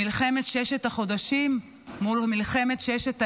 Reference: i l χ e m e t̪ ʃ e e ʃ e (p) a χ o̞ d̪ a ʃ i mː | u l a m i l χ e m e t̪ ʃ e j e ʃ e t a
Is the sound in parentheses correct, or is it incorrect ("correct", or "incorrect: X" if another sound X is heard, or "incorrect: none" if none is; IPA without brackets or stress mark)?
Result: incorrect: t